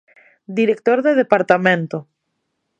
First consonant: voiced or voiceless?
voiced